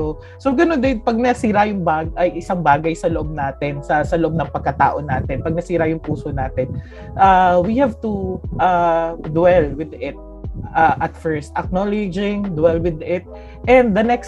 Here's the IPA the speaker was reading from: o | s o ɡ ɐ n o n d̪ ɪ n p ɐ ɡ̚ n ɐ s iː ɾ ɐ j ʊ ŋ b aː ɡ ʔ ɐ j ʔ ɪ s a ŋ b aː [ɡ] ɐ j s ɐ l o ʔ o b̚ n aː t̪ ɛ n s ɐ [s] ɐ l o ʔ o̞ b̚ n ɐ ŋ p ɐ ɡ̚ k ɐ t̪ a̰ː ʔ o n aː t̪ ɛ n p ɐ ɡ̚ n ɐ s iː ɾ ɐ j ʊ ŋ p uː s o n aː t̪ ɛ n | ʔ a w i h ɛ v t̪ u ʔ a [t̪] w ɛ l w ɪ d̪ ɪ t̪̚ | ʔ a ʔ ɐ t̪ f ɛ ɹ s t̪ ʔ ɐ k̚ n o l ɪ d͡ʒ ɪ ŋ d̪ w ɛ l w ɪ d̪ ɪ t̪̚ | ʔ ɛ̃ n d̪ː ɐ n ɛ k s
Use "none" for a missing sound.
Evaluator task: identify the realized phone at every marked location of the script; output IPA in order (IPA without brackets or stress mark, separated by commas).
ɡ, s, d̪